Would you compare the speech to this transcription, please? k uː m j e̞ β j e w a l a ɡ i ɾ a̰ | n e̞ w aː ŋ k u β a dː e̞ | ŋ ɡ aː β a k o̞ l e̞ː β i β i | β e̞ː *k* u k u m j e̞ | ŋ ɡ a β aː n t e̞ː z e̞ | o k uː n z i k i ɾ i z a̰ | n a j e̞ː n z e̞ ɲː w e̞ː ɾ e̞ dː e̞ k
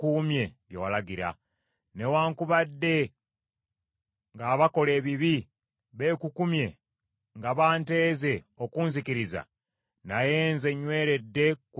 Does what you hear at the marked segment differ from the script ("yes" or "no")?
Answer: no